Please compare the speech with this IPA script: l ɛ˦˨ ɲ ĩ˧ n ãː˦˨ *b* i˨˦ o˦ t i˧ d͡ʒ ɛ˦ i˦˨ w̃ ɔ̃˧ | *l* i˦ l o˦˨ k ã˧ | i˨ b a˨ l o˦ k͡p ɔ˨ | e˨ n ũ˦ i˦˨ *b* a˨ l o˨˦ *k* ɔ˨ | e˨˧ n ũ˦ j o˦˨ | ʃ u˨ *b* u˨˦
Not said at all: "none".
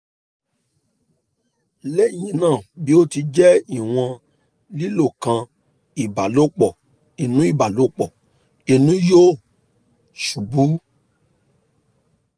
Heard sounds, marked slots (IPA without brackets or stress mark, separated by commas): b, l, b, k͡p, b